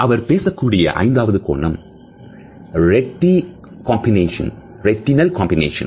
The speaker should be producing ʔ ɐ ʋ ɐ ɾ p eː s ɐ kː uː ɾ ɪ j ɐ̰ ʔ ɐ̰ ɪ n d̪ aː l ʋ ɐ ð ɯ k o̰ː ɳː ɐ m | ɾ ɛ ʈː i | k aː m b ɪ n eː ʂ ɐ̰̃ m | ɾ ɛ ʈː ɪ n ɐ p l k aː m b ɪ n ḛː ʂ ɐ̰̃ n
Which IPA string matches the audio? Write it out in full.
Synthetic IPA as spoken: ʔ ɐ ʋ ɐ ɾ p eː s ɐ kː uː ɽ ɪ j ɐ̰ ʔ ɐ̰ ɪ n d̪ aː ʋ ɐ ð ɯ k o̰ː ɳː ɐ m | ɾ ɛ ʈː i | k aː m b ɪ n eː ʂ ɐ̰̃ n | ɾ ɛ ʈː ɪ n ɐ l k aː m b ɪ n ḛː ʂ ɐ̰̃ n